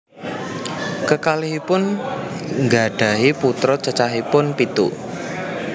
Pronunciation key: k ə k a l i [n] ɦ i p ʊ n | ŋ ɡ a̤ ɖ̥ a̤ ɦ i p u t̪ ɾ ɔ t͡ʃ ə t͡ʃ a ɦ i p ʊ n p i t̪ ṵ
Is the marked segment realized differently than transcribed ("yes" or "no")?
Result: yes